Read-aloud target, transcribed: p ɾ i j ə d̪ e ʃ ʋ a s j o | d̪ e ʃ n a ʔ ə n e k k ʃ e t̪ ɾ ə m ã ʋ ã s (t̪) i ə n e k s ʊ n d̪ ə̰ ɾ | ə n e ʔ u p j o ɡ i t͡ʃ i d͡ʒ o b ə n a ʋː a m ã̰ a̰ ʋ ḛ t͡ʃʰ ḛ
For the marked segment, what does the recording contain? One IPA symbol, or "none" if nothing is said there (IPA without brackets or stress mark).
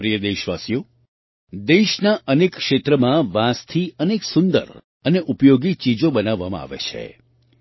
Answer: t̪ʰ